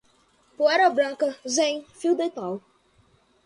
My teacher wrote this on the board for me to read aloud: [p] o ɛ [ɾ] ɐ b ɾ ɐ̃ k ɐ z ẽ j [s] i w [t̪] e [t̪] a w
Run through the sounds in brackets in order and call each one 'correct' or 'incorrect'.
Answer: correct, correct, incorrect, incorrect, correct

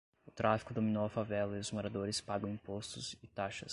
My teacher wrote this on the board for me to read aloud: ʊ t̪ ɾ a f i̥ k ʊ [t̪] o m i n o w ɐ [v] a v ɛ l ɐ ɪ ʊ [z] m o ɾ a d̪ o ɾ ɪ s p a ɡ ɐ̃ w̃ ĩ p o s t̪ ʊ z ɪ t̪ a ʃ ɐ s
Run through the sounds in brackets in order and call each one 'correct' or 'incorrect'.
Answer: incorrect, incorrect, correct

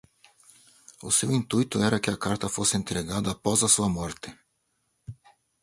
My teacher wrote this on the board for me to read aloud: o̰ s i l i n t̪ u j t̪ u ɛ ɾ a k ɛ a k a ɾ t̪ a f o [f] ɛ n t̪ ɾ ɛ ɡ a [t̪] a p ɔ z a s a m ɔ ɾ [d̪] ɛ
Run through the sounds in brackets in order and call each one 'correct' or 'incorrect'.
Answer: incorrect, incorrect, incorrect

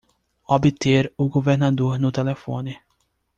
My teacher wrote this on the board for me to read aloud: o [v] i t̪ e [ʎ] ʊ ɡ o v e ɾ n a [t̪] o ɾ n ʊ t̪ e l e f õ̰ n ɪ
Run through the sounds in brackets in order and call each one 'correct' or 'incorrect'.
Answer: incorrect, incorrect, incorrect

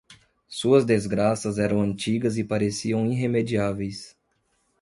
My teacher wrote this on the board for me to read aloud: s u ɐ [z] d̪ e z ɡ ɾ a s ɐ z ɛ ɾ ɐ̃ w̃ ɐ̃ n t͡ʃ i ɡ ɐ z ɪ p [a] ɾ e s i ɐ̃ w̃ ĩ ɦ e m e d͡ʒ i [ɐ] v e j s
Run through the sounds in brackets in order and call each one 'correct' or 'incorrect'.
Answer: correct, correct, incorrect

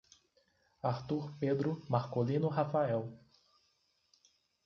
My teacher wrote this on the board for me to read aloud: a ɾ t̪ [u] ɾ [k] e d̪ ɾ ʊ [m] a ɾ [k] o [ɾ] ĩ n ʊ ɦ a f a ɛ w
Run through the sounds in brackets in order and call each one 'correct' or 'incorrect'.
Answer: correct, incorrect, correct, correct, incorrect

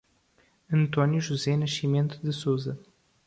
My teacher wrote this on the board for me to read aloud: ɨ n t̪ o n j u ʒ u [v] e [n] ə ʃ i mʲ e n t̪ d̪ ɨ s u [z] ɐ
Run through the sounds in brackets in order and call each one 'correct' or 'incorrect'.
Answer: incorrect, correct, correct

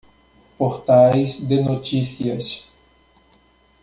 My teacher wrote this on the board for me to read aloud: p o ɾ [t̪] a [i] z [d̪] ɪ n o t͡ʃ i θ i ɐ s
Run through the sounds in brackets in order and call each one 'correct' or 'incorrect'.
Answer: correct, incorrect, correct

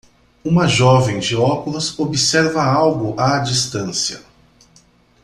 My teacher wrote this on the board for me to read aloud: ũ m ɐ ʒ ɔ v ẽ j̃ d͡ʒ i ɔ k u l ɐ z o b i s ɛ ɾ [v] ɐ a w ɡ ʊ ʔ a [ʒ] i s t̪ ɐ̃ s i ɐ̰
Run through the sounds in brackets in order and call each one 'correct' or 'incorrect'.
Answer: correct, incorrect

